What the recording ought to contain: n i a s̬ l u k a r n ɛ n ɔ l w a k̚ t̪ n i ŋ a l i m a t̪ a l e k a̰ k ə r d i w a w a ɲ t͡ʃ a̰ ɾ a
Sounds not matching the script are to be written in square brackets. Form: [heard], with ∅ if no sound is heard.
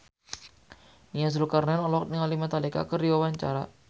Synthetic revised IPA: n i a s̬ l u k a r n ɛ n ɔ l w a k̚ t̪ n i ŋ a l i m a t̪ a l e k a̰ k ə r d i w a w a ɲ t͡ʃ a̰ ɾ a